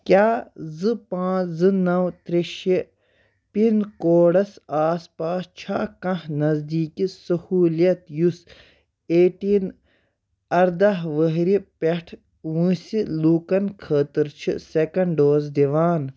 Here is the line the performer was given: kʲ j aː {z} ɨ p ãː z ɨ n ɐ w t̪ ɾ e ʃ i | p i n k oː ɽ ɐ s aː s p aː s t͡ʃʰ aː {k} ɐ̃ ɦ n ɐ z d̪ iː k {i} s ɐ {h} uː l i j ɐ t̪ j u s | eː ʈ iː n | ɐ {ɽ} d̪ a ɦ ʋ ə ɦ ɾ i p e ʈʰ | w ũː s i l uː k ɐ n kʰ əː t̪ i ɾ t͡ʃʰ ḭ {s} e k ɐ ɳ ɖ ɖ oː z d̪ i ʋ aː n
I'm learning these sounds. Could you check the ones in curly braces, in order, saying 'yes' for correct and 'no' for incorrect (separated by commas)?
yes, yes, yes, yes, no, yes